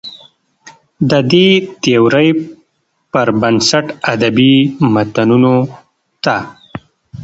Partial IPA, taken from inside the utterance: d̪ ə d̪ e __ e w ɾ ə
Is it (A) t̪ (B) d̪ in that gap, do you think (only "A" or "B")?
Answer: A